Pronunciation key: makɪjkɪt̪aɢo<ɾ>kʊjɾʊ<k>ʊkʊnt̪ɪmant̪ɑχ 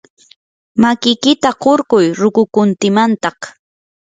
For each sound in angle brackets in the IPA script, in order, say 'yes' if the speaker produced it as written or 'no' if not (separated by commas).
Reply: yes, yes